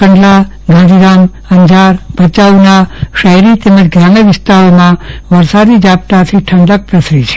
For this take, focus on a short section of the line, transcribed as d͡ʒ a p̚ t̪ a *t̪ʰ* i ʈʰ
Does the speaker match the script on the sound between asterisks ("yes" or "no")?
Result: yes